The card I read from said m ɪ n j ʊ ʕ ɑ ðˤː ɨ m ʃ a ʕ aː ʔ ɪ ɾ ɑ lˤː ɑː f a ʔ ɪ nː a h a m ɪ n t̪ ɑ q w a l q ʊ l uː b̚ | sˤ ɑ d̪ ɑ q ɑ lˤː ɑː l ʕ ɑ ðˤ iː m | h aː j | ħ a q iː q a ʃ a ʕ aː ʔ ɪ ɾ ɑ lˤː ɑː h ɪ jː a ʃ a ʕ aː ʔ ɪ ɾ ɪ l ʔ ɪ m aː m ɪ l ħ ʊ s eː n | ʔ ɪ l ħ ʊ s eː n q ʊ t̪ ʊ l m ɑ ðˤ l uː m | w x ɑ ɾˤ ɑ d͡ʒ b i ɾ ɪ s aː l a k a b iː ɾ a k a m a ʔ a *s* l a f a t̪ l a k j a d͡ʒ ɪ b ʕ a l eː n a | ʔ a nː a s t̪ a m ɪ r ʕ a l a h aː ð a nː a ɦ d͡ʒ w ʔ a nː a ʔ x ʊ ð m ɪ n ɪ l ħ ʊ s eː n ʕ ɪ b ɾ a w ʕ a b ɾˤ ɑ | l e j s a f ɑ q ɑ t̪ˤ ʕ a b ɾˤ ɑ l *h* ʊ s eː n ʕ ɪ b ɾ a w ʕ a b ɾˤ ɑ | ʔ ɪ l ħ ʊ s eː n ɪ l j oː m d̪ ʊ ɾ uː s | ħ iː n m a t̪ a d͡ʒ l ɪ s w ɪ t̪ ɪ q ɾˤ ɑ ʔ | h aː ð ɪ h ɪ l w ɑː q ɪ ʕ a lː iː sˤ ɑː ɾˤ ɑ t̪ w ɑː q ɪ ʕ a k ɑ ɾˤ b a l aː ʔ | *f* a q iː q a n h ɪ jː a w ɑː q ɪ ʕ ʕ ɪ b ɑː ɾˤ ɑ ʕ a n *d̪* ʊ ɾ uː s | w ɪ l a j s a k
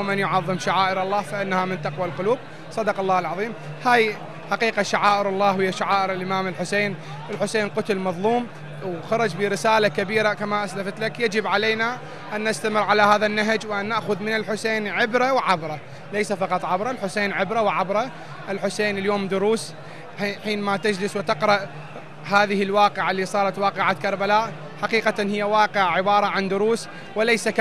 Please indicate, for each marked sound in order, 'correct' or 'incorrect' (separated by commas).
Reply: correct, incorrect, incorrect, correct